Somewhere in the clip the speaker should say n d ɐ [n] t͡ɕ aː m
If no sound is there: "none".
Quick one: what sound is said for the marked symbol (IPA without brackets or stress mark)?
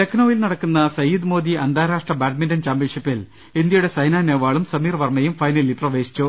n